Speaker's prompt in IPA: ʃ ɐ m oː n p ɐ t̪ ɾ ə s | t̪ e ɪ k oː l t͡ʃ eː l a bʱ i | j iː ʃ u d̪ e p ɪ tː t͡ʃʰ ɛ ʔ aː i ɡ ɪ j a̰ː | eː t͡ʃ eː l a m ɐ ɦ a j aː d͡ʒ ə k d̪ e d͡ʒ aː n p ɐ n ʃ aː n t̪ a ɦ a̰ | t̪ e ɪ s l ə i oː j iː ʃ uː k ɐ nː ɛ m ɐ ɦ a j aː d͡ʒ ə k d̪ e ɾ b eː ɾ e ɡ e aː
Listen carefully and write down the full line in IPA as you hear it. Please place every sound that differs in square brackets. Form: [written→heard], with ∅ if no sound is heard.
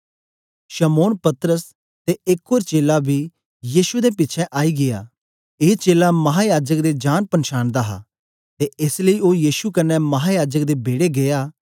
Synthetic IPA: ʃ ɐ m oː n p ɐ t̪ ɾ ə s | t̪ e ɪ k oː [l→ɾ] t͡ʃ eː l a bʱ i | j iː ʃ u d̪ e p ɪ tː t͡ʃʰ ɛ ʔ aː i ɡ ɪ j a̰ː | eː t͡ʃ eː l a m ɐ ɦ a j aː d͡ʒ ə k d̪ e d͡ʒ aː n p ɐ n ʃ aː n [t̪→d̪] a ɦ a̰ | t̪ e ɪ s l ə i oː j iː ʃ [uː→u] k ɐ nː ɛ m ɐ ɦ a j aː d͡ʒ ə k d̪ e [ɾ→∅] b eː [ɾ→ɽ] e ɡ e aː

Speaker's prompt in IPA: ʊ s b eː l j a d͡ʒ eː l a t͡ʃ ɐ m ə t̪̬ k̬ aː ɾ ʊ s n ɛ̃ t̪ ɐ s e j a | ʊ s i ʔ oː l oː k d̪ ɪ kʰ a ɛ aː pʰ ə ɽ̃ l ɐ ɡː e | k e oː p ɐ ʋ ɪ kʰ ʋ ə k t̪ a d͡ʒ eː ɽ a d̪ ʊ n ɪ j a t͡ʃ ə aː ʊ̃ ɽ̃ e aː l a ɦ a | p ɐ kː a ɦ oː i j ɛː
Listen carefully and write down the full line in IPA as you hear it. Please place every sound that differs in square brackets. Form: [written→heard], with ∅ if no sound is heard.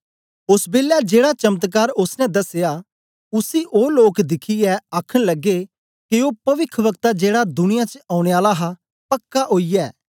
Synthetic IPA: ʊ s b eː l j a d͡ʒ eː [l→ɽ] a t͡ʃ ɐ m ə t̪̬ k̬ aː ɾ ʊ s n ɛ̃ [t̪→d̪] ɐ s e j a | ʊ s i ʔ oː l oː k d̪ ɪ kʰ [a→i] ɛ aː [pʰ→kʰ] ə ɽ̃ l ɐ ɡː e | k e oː p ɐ ʋ ɪ kʰ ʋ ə k t̪ a d͡ʒ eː ɽ a d̪ ʊ n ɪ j a t͡ʃ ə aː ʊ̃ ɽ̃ e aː l a ɦ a | p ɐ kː a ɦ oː i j ɛː

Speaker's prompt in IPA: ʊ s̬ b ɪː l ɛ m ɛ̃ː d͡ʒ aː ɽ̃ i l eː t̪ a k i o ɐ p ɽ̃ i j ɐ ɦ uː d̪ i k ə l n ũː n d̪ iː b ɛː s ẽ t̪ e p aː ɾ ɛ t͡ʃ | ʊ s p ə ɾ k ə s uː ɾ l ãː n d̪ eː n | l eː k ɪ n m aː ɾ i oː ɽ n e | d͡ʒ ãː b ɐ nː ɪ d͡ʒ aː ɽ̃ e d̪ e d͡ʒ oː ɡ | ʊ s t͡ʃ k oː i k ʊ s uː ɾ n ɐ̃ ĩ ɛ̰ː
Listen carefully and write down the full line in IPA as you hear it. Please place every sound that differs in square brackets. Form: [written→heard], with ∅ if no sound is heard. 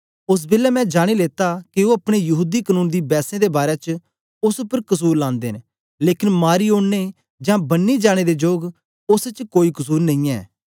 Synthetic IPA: ʊ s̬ b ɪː l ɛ m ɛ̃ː d͡ʒ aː ɽ̃ i l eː t̪ a k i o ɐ p ɽ̃ [i→e] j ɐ ɦ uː d̪ i k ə [l→∅] n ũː n d̪ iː b ɛː s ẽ [t̪→d̪] e [p→b] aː ɾ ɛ t͡ʃ | ʊ s p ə ɾ k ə s uː ɾ l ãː n d̪ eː n | l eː k ɪ n m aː ɾ i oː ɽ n e | d͡ʒ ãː b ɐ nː [ɪ→i] d͡ʒ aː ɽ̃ e d̪ e d͡ʒ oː ɡ | ʊ s t͡ʃ k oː i k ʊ s uː ɾ n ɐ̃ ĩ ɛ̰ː

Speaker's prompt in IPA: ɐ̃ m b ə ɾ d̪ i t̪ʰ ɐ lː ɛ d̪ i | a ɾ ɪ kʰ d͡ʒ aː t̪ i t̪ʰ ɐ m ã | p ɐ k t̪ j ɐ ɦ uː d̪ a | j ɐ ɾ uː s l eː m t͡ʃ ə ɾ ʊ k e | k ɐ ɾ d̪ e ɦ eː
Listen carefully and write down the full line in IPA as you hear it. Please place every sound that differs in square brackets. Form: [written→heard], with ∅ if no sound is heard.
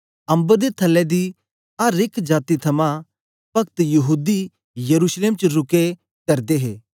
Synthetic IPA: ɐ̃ m b ə ɾ d̪ [i→e] t̪ʰ ɐ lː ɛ d̪ i | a ɾ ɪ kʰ d͡ʒ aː t̪ i t̪ʰ ɐ m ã | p ɐ k t̪ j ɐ ɦ uː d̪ [a→i] | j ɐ ɾ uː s l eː m t͡ʃ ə ɾ ʊ k e | k ɐ ɾ d̪ e ɦ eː

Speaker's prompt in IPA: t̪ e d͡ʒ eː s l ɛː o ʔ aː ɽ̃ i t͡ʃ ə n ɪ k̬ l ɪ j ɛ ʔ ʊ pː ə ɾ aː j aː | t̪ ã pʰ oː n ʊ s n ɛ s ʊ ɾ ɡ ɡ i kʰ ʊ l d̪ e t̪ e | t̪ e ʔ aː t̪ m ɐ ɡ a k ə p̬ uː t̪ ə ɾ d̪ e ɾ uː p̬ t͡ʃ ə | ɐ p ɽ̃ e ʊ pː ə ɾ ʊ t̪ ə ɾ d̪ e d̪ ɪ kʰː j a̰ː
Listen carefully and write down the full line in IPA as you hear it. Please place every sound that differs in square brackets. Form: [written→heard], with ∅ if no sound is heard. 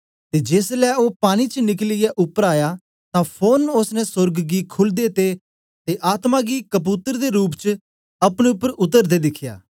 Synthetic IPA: t̪ e d͡ʒ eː s l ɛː o [ʔ→p] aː ɽ̃ i t͡ʃ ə n ɪ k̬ l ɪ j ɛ ʔ ʊ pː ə ɾ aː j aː | t̪ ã pʰ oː n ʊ s n ɛ s ʊ ɾ ɡ ɡ i kʰ ʊ l d̪ e t̪ e | t̪ e ʔ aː t̪ m [ɐ→a] ɡ [a→i] k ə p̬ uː t̪ ə ɾ d̪ e ɾ uː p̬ t͡ʃ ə | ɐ p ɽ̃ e ʊ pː ə ɾ ʊ t̪ ə ɾ d̪ e d̪ ɪ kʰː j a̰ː

